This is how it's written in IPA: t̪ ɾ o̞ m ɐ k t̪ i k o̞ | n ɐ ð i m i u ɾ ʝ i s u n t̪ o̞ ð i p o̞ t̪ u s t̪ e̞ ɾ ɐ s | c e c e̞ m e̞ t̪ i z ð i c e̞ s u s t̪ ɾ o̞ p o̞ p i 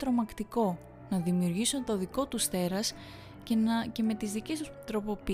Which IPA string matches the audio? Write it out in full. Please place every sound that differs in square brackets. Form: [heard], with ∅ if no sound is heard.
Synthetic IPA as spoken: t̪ ɾ o̞ m ɐ k t̪ i k o̞ | n ɐ ð i m i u ɾ ʝ i s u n t̪ o̞ ð i [k] o̞ t̪ u s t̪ e̞ ɾ ɐ s | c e c e̞ m e̞ t̪ i z ð i c e̞ s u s t̪ ɾ o̞ p o̞ p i